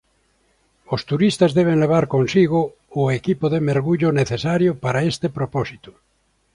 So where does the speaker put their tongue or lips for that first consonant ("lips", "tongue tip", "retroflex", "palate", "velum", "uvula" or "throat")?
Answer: tongue tip